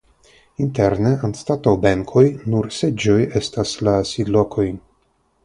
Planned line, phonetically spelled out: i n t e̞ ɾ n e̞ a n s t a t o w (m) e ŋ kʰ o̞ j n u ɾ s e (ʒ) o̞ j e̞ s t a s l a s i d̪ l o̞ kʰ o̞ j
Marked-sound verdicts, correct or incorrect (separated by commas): incorrect, incorrect